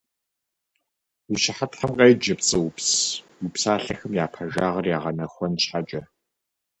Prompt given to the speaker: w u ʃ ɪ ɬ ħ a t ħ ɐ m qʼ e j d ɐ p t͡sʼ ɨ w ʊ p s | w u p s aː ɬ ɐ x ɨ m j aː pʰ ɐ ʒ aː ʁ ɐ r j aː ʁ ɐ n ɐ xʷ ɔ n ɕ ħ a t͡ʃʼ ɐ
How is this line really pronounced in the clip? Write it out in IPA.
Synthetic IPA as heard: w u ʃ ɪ ħ a t ħ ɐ m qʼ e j d͡ʒ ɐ p t͡sʼ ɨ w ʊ p s | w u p s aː ɬ ɐ x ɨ m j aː pʰ ɐ ʒ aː ʁ ɐ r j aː ʁ ɐ n ɐ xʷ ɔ n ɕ ħ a t͡ʃʼ ɐ